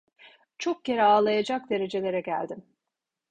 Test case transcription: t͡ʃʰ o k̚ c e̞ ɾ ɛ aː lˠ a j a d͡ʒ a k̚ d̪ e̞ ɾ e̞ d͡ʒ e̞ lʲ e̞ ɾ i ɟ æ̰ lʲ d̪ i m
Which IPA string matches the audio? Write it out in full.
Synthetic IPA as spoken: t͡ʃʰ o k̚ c e̞ ɾ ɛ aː lˠ a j a d͡ʒ a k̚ d̪ e̞ ɾ e̞ d͡ʒ e̞ lʲ e̞ ɾ ɛ ɟ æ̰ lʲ d̪ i m